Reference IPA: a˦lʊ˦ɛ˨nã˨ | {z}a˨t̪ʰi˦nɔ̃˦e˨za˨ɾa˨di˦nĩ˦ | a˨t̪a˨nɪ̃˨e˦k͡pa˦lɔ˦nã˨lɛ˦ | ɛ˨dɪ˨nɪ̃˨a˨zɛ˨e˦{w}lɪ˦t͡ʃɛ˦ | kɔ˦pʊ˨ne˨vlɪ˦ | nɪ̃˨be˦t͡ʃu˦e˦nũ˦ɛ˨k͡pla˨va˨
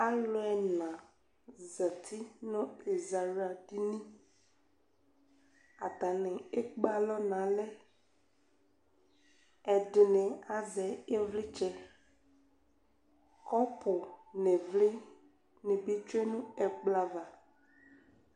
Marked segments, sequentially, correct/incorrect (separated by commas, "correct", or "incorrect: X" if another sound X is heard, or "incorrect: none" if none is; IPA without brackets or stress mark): correct, incorrect: v